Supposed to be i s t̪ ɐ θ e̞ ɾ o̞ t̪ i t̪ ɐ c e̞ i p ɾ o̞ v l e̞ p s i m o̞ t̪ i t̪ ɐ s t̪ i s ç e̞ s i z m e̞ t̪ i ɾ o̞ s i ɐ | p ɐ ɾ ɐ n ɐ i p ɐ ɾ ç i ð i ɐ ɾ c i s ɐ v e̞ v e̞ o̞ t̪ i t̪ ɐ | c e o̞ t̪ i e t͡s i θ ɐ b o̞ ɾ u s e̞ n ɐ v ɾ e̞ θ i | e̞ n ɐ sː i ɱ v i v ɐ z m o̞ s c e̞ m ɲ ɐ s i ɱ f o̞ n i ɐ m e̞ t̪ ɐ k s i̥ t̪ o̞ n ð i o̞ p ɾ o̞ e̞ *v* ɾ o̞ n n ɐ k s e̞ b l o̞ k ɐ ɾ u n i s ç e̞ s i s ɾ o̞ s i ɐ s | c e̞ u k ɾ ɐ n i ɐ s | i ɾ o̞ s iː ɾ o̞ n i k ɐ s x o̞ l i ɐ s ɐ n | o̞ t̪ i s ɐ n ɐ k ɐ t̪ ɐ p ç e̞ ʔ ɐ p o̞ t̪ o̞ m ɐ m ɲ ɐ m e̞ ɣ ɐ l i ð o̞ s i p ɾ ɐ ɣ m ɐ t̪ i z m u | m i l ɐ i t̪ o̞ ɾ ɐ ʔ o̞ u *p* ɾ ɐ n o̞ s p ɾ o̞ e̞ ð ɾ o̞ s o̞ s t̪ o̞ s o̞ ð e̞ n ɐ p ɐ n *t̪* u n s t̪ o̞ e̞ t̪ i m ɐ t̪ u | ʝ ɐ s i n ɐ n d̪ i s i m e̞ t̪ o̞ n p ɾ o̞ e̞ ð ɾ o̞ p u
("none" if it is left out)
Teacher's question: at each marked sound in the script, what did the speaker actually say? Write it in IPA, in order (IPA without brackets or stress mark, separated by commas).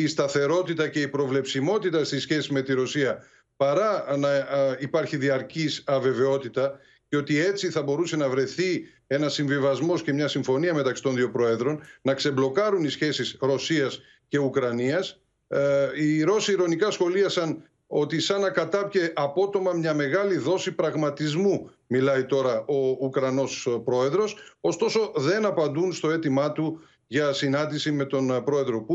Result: ð, k, d̪